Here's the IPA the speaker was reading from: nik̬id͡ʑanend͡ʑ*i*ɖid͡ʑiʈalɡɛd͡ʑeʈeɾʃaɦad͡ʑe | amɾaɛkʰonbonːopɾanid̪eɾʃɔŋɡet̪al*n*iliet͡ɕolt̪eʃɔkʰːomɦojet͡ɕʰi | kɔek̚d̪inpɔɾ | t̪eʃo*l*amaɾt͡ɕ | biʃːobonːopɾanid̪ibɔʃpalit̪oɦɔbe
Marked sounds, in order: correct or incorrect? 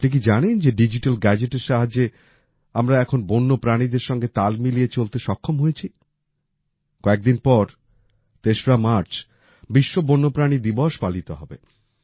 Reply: incorrect, incorrect, incorrect

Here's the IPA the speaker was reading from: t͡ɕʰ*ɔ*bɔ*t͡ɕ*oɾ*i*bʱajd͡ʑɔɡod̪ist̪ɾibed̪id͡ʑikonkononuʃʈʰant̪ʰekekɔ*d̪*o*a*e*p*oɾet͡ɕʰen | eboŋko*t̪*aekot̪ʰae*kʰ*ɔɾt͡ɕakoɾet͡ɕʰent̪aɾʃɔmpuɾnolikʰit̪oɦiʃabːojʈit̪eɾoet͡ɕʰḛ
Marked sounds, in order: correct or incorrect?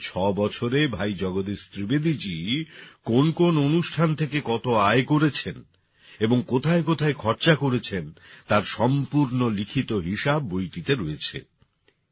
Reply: correct, incorrect, incorrect, incorrect, correct, incorrect, incorrect, correct

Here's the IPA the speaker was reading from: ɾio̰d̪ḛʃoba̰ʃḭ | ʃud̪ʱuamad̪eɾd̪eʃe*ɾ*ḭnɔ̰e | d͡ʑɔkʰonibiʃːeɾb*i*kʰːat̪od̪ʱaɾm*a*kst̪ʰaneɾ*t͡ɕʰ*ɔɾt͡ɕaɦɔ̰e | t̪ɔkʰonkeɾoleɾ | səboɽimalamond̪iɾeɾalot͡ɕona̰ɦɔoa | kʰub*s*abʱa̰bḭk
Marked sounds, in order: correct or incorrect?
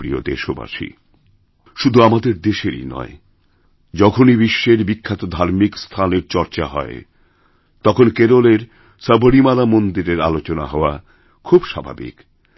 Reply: correct, correct, incorrect, incorrect, incorrect

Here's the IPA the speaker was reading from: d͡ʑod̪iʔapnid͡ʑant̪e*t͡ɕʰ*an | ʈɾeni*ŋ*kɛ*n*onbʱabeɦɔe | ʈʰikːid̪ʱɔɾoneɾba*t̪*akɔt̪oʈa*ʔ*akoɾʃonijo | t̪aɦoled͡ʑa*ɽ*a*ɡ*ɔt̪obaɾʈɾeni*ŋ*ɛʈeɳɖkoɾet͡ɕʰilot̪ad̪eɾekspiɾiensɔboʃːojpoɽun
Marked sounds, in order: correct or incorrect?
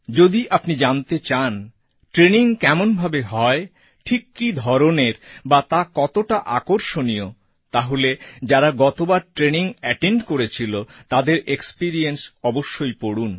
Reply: incorrect, correct, incorrect, correct, correct, incorrect, correct, correct

